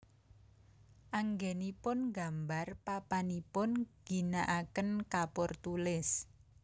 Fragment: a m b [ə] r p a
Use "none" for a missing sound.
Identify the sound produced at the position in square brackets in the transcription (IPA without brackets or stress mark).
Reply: a